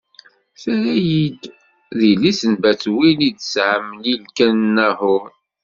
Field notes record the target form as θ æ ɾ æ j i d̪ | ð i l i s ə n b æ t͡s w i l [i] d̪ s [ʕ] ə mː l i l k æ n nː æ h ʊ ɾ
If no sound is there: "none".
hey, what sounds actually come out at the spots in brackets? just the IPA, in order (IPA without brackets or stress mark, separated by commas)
i, ʕ